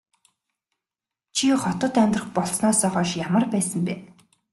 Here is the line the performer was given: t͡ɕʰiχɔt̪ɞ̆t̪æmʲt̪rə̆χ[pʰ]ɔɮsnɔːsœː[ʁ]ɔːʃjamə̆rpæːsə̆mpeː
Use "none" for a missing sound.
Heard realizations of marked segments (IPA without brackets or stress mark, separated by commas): p, χ